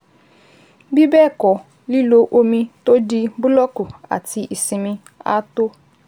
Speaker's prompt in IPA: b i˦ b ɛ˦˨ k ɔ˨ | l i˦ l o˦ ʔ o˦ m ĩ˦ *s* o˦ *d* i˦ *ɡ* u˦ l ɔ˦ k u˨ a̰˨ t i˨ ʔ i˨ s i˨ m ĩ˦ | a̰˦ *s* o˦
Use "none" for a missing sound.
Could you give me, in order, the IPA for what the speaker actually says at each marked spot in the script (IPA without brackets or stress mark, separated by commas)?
t, d, b, t